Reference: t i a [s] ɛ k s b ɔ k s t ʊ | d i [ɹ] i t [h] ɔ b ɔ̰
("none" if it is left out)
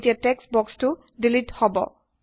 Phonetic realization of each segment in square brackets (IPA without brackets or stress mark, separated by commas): t, l, h